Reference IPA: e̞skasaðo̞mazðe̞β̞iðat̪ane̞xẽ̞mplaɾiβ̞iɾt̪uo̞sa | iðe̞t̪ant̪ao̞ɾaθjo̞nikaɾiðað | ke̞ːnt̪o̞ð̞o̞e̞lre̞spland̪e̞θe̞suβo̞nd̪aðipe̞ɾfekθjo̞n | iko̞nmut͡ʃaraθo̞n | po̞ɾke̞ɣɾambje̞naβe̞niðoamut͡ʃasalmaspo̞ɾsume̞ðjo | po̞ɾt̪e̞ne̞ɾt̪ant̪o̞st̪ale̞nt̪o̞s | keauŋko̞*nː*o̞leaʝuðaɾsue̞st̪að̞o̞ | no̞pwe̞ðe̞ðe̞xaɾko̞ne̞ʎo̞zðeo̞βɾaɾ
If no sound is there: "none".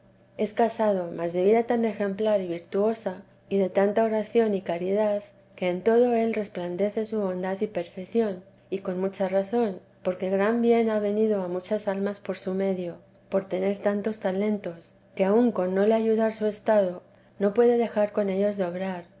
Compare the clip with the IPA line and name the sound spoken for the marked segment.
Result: nː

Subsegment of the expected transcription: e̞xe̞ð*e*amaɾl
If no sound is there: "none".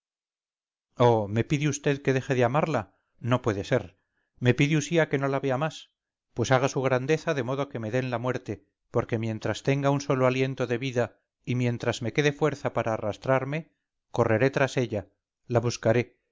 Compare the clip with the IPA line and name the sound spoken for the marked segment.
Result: e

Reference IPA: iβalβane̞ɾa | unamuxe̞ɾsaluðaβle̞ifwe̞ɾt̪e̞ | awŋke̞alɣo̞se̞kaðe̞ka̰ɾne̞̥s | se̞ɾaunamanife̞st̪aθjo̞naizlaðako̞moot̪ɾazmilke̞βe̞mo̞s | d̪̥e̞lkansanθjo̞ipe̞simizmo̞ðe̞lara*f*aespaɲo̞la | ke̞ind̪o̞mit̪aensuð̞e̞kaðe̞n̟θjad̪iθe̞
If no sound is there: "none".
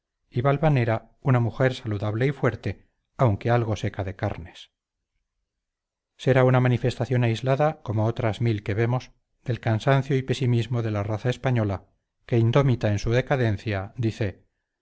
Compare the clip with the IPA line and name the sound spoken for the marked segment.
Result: θ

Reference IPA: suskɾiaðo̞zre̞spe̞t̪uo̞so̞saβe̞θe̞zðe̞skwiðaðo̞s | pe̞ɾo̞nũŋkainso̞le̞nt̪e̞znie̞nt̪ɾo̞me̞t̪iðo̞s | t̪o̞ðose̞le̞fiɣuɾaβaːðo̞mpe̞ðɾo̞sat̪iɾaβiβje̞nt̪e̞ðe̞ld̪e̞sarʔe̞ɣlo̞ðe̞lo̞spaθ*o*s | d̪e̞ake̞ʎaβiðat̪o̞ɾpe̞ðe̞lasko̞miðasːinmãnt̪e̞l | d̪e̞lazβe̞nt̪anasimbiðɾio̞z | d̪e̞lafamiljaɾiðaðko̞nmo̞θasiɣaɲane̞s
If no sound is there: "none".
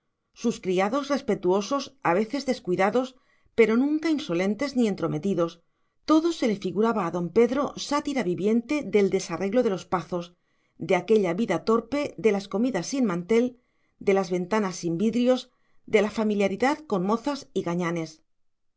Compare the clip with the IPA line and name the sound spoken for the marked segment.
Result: o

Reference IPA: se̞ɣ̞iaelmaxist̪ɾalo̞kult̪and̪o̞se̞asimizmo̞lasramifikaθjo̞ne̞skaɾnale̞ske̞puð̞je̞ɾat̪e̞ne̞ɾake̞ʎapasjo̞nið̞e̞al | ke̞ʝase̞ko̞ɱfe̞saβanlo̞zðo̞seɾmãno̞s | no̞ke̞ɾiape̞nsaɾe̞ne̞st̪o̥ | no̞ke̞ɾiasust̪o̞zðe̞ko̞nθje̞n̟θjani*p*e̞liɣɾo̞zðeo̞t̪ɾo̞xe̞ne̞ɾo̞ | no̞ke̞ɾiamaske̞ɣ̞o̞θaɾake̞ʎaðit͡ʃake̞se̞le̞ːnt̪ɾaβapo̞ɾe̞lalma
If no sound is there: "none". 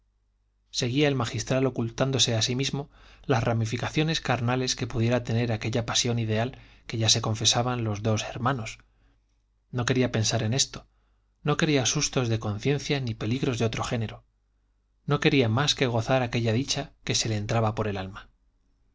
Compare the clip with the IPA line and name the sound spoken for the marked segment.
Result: p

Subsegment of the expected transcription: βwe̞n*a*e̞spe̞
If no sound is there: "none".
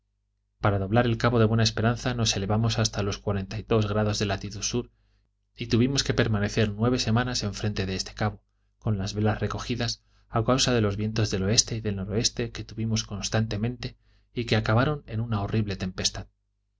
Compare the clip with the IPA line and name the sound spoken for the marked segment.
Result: a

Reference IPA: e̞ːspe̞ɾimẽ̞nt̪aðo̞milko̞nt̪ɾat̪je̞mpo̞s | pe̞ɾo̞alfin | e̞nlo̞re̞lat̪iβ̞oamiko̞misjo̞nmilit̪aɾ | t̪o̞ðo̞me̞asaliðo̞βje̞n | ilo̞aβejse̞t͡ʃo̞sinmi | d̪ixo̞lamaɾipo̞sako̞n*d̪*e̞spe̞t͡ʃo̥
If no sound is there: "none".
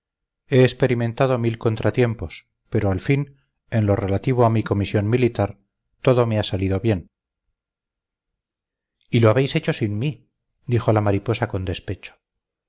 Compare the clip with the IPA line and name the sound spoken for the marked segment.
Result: d̪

